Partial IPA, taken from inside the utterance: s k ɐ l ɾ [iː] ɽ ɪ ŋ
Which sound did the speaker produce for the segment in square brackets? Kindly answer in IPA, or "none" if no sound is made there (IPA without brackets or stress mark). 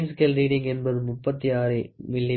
iː